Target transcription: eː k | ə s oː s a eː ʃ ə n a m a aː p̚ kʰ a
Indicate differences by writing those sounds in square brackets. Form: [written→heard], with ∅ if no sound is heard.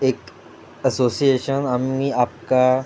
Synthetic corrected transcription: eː k | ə s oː s [a→i] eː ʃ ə n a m [a→i] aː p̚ [kʰ→k] a